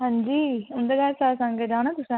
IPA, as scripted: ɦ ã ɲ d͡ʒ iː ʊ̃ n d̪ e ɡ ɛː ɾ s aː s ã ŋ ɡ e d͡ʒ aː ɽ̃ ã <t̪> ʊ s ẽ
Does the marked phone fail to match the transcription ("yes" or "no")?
no